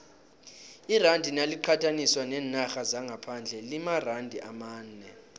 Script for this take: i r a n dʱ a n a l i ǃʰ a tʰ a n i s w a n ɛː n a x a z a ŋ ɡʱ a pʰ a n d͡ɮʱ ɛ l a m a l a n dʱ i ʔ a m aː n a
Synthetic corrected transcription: i r a n dʱ i n a l i ǃʰ a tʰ a n i s w a n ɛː n a x a z a ŋ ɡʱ a pʰ a n d͡ɮʱ ɛ l i m a r a n dʱ i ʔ a m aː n ɛ